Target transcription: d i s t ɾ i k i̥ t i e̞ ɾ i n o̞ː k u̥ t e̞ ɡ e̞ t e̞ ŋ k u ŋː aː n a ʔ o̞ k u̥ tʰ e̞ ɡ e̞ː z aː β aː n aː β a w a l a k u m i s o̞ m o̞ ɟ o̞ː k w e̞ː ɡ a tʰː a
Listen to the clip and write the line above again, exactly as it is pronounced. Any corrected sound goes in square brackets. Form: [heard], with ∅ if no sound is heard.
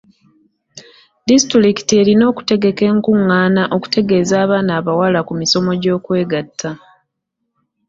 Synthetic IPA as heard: d i s t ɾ i k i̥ t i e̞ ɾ i n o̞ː k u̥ t e̞ ɡ e̞ [k] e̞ ŋ k u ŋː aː n a ʔ o̞ k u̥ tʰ e̞ ɡ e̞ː z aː β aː n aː β a w a l a k u m i s o̞ m o̞ ɟ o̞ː k w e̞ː ɡ a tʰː a